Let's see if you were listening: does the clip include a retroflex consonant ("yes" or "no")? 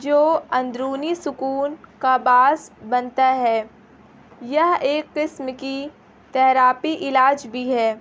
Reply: no